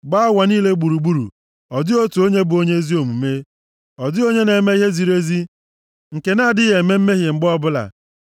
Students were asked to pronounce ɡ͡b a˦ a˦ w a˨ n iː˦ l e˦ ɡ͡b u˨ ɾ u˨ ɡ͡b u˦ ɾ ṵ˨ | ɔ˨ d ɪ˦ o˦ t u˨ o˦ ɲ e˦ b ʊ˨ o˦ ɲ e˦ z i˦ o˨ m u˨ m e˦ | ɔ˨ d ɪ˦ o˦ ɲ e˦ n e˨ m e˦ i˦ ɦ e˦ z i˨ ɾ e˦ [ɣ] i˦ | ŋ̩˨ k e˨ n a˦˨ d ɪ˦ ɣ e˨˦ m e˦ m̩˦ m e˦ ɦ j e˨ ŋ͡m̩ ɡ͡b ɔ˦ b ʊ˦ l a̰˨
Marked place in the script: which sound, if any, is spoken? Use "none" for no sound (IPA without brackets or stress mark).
z